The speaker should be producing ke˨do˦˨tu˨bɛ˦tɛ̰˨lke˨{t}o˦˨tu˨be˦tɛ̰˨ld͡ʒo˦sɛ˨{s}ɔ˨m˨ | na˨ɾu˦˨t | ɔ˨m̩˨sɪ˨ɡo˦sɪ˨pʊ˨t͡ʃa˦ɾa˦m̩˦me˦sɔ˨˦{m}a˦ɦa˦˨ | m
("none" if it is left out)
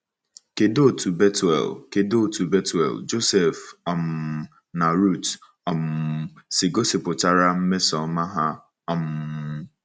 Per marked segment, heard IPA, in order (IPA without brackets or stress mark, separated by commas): d, f, m